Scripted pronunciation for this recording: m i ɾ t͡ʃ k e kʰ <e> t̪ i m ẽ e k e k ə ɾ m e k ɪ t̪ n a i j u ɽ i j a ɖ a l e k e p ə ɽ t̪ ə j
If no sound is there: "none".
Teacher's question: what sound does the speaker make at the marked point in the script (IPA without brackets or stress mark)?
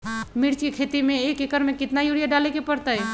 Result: e